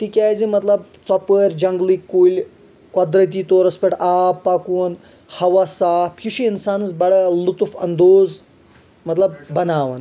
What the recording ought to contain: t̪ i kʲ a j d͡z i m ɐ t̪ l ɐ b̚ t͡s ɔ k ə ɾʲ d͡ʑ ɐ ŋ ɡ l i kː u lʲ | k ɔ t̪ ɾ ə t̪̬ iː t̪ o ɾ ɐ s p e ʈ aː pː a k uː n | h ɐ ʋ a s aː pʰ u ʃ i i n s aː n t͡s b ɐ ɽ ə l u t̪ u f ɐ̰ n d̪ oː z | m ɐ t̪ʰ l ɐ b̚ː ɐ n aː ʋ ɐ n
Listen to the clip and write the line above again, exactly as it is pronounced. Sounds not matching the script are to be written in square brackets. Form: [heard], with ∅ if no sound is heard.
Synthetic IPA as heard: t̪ i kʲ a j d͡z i m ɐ t̪ l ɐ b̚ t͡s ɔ [p] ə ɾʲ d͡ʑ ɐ ŋ ɡ l i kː u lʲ | k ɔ [d̪] ɾ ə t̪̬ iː t̪ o ɾ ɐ s p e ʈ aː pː a k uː n | h ɐ ʋ a s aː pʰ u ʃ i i n s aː n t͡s b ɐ ɽ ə l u t̪ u f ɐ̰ n d̪ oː z | m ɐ [t̪] l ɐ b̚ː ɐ n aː ʋ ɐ n